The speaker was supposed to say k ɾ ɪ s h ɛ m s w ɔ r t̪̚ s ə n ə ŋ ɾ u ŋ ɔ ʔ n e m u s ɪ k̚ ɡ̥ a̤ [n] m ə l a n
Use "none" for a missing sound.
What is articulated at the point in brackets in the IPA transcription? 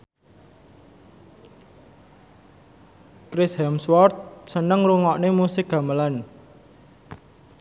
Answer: none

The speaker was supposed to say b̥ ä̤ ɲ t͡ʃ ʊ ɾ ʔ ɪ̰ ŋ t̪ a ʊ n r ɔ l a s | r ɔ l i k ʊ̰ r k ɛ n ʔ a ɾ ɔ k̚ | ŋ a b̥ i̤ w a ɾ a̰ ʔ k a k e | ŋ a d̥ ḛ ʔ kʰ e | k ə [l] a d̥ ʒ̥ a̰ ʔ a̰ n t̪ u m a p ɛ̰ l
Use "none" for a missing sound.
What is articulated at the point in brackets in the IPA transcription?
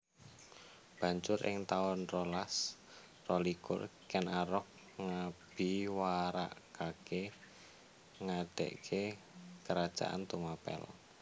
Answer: ɾ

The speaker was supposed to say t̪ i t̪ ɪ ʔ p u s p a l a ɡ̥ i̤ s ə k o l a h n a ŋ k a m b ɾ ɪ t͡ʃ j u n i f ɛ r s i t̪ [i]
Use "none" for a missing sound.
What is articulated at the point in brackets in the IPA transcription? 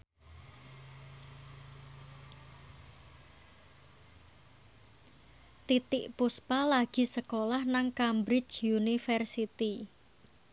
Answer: i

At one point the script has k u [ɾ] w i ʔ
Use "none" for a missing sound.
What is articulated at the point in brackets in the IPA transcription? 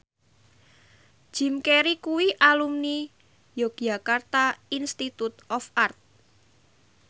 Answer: none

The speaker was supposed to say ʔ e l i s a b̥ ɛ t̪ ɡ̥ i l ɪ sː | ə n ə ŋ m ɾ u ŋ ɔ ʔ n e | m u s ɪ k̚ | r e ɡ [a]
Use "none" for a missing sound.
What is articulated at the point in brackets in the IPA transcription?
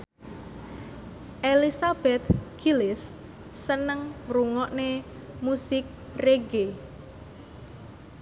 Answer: e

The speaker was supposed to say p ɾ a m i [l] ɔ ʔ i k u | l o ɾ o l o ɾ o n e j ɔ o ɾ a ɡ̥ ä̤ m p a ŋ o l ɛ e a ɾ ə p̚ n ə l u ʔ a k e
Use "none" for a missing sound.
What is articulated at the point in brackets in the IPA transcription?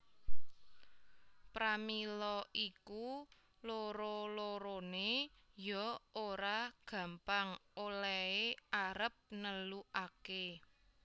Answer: l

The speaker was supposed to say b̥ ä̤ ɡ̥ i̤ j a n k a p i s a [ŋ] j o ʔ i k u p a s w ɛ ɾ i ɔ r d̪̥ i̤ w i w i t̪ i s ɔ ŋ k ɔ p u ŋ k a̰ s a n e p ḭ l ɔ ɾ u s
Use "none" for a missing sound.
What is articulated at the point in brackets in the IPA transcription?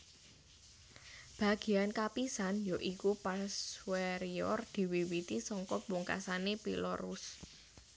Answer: n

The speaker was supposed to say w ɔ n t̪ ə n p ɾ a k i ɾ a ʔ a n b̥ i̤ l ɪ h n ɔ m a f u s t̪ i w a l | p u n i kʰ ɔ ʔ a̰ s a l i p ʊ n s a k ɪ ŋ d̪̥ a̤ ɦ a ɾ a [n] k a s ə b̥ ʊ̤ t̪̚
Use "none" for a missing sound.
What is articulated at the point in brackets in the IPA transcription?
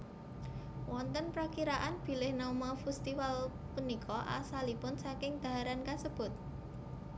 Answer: n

